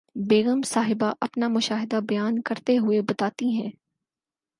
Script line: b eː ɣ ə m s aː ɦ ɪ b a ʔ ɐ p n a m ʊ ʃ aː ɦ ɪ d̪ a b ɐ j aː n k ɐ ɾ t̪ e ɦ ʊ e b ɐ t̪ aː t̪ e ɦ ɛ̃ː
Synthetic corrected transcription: b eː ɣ ə m s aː ɦ ɪ b a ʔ ɐ p n a m ʊ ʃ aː ɦ ɪ d̪ a b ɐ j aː n k ɐ ɾ t̪ e ɦ ʊ e b ɐ t̪ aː t̪ i ɦ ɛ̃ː